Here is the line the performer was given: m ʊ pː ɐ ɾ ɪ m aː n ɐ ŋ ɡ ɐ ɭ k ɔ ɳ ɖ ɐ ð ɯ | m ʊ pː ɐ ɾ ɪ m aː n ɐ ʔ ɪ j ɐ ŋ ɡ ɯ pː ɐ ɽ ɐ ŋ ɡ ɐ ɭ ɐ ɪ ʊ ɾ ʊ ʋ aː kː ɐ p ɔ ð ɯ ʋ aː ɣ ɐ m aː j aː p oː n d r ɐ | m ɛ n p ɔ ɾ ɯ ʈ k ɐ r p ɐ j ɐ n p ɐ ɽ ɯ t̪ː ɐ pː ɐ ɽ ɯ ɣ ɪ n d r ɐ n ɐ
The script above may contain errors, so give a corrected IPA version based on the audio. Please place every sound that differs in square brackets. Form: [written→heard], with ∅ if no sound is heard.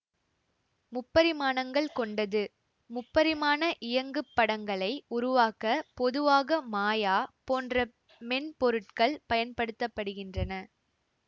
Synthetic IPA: m ʊ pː ɐ ɾ ɪ m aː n ɐ ŋ ɡ ɐ ɭ k ɔ ɳ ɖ ɐ ð ɯ | m ʊ pː ɐ ɾ ɪ m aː n ɐ ʔ ɪ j ɐ ŋ ɡ ɯ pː ɐ ɽ ɐ ŋ ɡ ɐ ɭ ɐ ɪ ʊ ɾ ʊ ʋ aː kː ɐ p ɔ ð ɯ ʋ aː ɣ ɐ m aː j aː p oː n d r ɐ | m ɛ n p ɔ ɾ ɯ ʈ k ɐ [r→ɭ] p ɐ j ɐ n p ɐ ɽ ɯ t̪ː ɐ pː ɐ ɽ ɯ ɣ ɪ n d r ɐ n ɐ